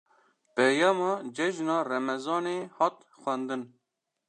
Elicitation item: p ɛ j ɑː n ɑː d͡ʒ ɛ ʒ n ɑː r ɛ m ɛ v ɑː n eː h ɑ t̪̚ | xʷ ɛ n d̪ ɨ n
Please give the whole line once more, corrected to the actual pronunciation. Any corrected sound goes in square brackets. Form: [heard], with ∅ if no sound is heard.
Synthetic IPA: p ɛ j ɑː [m] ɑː d͡ʒ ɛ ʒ n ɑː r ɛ m ɛ [z] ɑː n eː h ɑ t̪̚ | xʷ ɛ n d̪ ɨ n

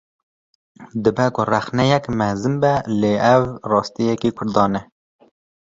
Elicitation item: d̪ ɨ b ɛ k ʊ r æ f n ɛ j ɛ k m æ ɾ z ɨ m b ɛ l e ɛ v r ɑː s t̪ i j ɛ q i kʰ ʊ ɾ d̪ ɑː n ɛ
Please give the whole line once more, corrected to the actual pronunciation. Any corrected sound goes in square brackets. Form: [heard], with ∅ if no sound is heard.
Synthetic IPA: d̪ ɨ b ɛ k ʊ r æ [x] n ɛ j ɛ k m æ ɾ z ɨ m b ɛ l e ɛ v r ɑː s t̪ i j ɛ [k] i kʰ ʊ ɾ d̪ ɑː n ɛ

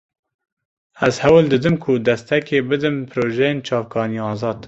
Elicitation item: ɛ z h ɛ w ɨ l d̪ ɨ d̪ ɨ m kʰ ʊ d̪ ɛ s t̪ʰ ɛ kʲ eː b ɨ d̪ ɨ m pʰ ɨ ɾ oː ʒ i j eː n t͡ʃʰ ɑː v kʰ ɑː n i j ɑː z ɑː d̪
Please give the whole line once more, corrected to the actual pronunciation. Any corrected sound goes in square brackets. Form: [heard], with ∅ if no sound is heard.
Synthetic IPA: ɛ z h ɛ w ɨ l d̪ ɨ d̪ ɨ m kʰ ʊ d̪ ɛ s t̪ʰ ɛ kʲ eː b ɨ d̪ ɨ m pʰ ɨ ɾ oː ʒ [ɛ] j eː n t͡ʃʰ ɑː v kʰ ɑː n i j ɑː z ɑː d̪

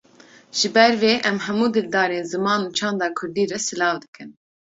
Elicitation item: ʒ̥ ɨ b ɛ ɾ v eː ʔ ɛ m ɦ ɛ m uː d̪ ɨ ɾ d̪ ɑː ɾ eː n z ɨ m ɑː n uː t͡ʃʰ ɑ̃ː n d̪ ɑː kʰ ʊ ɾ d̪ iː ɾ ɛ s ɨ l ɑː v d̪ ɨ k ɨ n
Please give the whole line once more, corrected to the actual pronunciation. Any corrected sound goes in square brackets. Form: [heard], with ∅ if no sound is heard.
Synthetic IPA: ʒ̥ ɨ b ɛ ɾ v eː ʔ ɛ m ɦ ɛ m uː d̪ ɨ [l] d̪ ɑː ɾ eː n z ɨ m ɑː n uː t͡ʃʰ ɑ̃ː n d̪ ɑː kʰ ʊ ɾ d̪ iː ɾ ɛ s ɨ l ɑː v d̪ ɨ k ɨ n

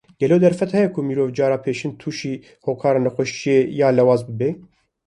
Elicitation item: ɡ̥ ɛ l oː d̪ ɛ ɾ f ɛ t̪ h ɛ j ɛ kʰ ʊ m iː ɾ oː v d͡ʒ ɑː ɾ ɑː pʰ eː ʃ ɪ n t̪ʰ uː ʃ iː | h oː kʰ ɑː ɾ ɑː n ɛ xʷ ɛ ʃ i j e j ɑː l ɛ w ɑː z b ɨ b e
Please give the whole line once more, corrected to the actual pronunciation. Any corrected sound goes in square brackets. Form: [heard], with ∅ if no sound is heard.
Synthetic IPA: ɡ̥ ɛ l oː d̪ ɛ ɾ f ɛ t̪ h ɛ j ɛ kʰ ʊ m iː ɾ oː v d͡ʒ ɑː ɾ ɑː pʰ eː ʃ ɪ n t̪ʰ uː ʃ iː | h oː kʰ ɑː ɾ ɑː n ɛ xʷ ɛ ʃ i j e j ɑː l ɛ w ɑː z b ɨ b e

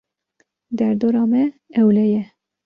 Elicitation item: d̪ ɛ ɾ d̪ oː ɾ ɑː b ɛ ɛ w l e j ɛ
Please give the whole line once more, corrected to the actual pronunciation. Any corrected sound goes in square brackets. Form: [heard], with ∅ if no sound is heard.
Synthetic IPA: d̪ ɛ ɾ d̪ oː ɾ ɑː [m] ɛ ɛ w l [ɛ] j ɛ

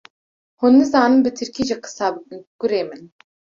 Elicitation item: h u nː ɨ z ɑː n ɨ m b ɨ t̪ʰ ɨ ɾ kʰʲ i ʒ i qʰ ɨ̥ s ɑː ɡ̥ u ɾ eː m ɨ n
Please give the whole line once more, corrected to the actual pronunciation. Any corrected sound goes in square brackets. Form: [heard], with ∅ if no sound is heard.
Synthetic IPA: h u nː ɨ z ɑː n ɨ m b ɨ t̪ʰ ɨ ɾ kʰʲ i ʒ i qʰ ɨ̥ s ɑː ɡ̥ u ɾ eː m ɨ n

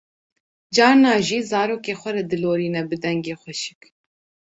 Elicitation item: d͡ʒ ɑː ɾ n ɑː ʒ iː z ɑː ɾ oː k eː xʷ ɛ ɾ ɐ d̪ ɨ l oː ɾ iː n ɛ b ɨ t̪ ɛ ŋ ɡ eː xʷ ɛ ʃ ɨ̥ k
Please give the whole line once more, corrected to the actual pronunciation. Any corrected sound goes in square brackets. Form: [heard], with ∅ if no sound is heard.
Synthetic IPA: d͡ʒ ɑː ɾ n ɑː ʒ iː z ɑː ɾ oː k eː xʷ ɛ ɾ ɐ d̪ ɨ l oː ɾ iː n ɛ b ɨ [d̪] ɛ ŋ ɡ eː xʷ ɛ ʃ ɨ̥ k

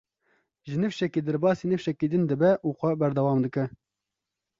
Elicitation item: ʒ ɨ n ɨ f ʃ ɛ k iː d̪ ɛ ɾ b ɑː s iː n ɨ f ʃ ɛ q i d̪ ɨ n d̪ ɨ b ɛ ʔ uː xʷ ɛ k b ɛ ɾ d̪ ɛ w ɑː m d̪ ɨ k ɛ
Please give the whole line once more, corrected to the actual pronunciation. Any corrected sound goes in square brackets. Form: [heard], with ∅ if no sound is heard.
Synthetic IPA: ʒ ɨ n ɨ f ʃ ɛ k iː d̪ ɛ ɾ b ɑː s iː n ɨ f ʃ ɛ [k] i d̪ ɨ n d̪ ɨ b ɛ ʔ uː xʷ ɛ [∅] b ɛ ɾ d̪ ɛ w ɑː m d̪ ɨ k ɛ

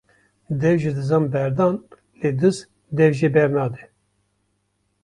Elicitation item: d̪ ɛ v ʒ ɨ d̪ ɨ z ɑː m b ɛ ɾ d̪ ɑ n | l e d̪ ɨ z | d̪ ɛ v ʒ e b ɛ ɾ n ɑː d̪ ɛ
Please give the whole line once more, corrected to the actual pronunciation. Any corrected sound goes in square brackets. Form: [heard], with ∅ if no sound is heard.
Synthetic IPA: d̪ ɛ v ʒ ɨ d̪ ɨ z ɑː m b ɛ ɾ d̪ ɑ n | l e d̪ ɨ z | d̪ ɛ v ʒ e b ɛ ɾ n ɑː d̪ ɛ

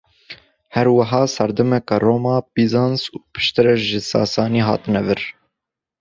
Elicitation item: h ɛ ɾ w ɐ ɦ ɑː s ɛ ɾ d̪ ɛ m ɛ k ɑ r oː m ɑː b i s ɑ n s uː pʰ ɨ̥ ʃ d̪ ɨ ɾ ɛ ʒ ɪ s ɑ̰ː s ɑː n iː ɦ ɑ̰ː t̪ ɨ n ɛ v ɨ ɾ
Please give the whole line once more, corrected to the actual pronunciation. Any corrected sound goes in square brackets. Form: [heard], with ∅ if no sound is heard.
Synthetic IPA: h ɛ ɾ w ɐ ɦ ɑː s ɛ ɾ d̪ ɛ m ɛ k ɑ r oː m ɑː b i [z] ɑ n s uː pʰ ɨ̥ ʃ [t̪] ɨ ɾ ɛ ʒ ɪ s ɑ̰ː s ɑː n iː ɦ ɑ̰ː t̪ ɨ n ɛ v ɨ ɾ

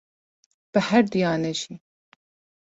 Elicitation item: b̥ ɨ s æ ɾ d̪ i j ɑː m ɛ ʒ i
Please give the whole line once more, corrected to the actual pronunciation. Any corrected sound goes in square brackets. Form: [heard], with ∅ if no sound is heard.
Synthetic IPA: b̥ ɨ [h] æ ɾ d̪ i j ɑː [n] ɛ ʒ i

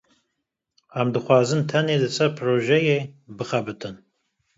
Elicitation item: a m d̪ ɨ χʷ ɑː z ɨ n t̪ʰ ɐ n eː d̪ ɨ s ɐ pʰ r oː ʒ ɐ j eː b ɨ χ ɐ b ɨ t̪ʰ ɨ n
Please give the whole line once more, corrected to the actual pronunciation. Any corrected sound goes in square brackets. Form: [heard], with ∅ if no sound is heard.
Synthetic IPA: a m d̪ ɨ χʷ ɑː z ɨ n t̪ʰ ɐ n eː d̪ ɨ s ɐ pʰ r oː ʒ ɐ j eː b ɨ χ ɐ b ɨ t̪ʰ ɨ n

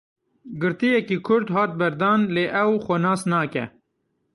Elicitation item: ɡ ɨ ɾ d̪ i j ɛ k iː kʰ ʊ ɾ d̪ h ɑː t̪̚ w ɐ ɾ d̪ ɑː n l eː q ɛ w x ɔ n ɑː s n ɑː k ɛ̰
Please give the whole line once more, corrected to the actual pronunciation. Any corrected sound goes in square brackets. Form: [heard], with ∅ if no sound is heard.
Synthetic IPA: ɡ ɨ ɾ [t̪] i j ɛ k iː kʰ ʊ ɾ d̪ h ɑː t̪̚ [b] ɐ ɾ d̪ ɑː n l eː [ʔ] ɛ w x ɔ n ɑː s n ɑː k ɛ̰

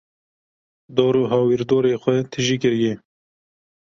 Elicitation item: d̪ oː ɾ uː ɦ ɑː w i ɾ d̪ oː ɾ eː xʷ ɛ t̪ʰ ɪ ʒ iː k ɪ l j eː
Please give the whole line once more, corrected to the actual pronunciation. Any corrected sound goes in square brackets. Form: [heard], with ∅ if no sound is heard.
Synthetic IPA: d̪ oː ɾ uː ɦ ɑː w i ɾ d̪ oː ɾ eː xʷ ɛ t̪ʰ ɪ ʒ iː k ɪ [ɾ] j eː

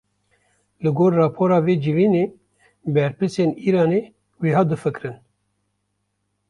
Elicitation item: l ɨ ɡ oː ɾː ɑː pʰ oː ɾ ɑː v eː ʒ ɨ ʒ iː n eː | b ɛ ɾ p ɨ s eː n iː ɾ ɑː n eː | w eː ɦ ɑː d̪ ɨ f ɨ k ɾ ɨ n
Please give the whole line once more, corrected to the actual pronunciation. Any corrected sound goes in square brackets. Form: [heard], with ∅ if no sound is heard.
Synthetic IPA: l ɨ ɡ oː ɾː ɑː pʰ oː ɾ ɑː v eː [d͡ʒ] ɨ [v] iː n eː | b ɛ ɾ p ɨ s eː n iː ɾ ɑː n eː | w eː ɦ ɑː d̪ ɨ f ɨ k ɾ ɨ n

